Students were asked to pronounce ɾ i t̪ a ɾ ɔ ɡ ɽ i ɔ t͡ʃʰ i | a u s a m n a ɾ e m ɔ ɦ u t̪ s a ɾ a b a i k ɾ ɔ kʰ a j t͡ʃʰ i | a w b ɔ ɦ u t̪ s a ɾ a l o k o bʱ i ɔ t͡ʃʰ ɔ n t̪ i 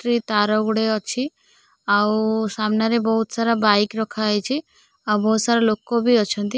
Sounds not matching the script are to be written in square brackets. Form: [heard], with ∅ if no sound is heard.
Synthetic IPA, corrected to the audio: ɾ i t̪ a ɾ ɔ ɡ ɽ [e] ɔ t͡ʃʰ i | a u s a m n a ɾ e [b] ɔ ɦ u t̪ s a ɾ a b a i k ɾ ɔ kʰ a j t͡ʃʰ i | a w b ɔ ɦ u t̪ s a ɾ a l o k o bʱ i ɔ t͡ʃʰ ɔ n t̪ i